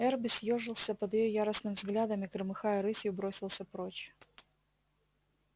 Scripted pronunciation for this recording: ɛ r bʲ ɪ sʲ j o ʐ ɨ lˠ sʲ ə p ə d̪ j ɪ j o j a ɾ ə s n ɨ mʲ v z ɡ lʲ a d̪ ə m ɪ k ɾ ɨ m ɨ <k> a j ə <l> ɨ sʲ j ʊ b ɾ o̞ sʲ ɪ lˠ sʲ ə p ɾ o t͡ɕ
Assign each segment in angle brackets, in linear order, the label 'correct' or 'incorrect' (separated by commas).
incorrect, incorrect